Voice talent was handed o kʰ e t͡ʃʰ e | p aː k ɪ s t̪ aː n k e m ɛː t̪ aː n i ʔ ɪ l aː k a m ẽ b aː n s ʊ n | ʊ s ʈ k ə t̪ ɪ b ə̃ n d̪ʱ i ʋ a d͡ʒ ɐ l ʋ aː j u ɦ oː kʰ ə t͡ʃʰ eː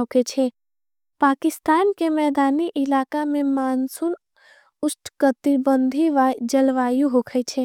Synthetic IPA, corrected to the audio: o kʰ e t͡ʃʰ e | p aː k ɪ s t̪ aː n k e m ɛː d̪ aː n i ʔ ɪ l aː k a m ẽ m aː n s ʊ n | ʊ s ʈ k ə t̪ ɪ b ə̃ n d̪ʱ i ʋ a d͡ʒ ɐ l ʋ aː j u ɦ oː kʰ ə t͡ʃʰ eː